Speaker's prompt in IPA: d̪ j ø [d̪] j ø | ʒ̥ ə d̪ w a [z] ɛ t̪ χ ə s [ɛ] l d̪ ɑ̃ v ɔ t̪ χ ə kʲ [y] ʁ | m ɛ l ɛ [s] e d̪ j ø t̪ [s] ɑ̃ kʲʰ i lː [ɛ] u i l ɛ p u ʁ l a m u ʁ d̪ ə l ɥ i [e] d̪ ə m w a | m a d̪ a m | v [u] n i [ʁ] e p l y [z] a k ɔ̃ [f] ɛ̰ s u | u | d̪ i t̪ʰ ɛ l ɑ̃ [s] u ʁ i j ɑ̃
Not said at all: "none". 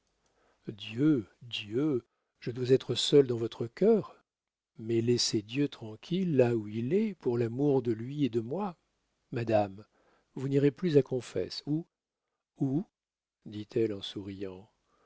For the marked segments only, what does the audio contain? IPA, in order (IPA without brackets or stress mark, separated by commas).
d̪, z, œ, œ, s, χ, a, e, u, ʁ, z, f, s